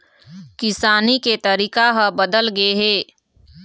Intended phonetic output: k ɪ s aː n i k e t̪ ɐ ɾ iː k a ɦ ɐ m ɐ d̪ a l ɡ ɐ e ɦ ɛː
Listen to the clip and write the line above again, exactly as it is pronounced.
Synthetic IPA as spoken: k ɪ s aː n i k e t̪ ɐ ɾ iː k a ɦ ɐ b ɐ d̪ ə l ɡ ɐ e ɦ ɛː